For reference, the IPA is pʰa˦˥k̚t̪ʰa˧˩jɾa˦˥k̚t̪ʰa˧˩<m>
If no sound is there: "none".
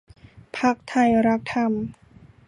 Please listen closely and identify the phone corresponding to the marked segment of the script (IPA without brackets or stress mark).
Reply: m